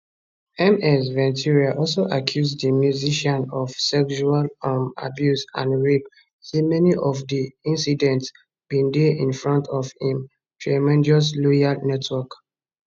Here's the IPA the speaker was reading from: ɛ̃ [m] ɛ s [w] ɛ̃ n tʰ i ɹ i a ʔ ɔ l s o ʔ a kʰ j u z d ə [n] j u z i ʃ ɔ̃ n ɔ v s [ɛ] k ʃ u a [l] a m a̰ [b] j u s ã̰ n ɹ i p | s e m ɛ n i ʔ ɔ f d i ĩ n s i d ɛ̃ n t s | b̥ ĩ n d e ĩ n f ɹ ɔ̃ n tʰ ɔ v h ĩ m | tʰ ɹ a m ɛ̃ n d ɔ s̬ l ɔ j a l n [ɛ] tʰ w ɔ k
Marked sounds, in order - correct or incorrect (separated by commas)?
correct, incorrect, incorrect, correct, correct, correct, correct